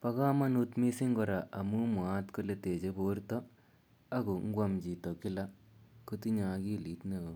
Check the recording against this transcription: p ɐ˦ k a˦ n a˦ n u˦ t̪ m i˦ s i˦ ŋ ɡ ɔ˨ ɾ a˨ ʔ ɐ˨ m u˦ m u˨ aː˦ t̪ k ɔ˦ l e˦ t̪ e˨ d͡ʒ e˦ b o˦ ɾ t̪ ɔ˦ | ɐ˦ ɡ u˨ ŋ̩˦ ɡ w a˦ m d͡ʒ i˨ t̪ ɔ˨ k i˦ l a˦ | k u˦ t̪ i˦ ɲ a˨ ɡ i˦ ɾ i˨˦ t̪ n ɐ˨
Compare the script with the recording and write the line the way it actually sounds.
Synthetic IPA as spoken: p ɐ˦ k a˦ m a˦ n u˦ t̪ m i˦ s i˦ ŋ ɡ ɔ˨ ɾ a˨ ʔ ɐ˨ m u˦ m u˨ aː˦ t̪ k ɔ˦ l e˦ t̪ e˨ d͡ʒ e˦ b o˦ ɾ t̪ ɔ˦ | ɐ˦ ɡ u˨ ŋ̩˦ ɡ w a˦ m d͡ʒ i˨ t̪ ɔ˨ k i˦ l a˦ | k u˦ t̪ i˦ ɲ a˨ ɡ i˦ l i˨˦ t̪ n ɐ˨